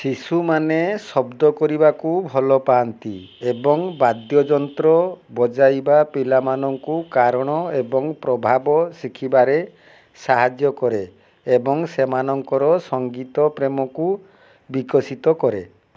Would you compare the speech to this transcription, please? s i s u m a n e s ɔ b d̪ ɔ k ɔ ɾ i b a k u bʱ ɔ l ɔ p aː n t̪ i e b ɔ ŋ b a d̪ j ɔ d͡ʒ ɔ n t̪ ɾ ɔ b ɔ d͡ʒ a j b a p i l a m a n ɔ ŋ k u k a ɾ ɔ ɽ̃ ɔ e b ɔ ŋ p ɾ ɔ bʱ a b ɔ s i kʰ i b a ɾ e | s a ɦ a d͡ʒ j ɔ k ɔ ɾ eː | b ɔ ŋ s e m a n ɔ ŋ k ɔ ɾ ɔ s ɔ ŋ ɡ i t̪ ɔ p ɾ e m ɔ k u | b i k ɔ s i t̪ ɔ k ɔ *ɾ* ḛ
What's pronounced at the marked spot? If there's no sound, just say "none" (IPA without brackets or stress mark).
ɾ